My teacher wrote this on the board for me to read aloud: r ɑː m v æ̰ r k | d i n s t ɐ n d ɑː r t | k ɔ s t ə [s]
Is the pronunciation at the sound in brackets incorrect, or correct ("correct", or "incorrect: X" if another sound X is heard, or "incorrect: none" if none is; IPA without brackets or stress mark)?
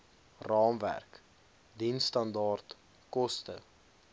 incorrect: none